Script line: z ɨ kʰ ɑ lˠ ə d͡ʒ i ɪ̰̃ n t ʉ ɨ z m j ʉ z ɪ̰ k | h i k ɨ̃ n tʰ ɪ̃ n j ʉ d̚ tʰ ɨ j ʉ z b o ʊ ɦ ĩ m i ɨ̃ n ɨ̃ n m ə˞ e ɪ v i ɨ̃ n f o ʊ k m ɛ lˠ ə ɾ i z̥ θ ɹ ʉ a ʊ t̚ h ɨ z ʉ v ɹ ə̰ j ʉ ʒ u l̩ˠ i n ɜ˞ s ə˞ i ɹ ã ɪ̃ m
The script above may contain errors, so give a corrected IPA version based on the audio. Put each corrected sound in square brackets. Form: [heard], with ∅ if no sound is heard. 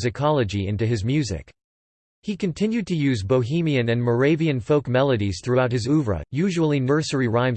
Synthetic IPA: z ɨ kʰ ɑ lˠ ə d͡ʒ i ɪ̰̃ n t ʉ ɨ z m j ʉ z ɪ̰ k | h i k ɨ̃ n tʰ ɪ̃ n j ʉ d̚ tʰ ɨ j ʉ z b o ʊ ɦ ĩ m i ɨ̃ n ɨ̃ n m ə˞ e ɪ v i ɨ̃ n f o ʊ k m ɛ lˠ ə ɾ i z̥ θ ɹ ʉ a ʊ t̚ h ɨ z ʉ v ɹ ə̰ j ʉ ʒ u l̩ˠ i n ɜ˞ s ə˞ i ɹ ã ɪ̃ m